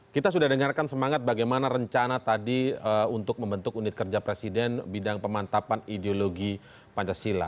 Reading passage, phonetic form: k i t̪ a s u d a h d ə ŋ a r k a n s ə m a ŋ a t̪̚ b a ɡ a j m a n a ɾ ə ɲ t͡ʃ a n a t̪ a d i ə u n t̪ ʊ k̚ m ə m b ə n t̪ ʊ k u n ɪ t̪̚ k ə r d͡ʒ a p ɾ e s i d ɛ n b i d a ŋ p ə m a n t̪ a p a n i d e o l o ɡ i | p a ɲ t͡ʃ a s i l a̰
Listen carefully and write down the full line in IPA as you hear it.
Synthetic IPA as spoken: k i t̪ a s u d a h d ə ŋ a r k a n s ə m a ŋ a t̪̚ b a ɡ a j m a n a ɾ ə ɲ t͡ʃ a n a t̪ a d i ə u n t̪ ʊ k̚ m ə m b ə n t̪ ʊ k u n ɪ t̪̚ k ə r d͡ʒ a p ɾ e s i d ɛ n b i d a ŋ p ə m a n t̪ a p a n i d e o l o ɡ i | p a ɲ t͡ʃ a s i l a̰